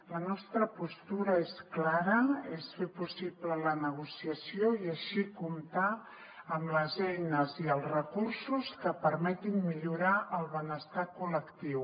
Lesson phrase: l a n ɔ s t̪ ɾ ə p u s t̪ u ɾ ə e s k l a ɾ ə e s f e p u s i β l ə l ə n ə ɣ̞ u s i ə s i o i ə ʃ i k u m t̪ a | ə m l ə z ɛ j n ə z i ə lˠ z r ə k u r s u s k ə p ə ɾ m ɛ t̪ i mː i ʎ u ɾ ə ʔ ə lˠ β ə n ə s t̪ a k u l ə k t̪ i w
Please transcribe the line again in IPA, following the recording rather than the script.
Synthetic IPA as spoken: l ə n ɔ s t̪ ɾ ə p u s t̪ u ɾ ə e s k l a ɾ ə e s f e p u s i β l ə l ə n ə ɣ̞ u s i ə s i o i ə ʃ i k u m t̪ a | ə m l ə z ɛ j n ə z i ə lˠ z r ə k u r s u s k ə p ə ɾ m ɛ t̪ i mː i ʎ u ɾ a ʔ ə lˠ β ə n ə s t̪ a k u l ə k t̪ i w